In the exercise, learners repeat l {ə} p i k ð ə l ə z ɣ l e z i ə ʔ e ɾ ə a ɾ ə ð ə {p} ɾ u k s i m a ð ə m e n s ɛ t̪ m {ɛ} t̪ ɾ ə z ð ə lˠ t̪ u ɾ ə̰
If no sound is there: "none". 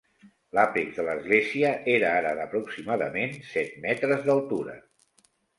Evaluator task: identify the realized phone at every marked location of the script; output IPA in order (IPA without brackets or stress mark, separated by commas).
a, p, ɛ